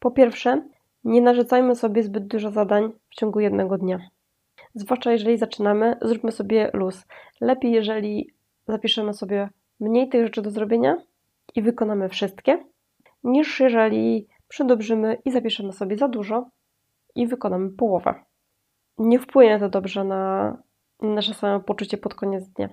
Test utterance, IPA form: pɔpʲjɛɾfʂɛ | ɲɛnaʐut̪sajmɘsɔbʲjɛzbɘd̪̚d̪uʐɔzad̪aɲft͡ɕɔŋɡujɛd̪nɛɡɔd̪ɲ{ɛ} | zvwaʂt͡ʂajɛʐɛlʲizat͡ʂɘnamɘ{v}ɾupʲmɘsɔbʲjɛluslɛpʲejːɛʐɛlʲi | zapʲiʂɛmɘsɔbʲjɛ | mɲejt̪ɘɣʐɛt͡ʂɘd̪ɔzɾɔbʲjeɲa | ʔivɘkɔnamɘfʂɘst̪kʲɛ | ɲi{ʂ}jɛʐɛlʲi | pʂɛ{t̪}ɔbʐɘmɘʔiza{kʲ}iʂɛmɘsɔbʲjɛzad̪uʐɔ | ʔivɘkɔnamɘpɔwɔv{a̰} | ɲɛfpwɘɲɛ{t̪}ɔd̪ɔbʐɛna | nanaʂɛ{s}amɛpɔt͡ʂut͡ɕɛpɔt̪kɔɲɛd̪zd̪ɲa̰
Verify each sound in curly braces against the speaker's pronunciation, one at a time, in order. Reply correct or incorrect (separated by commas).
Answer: incorrect, incorrect, correct, incorrect, incorrect, incorrect, correct, correct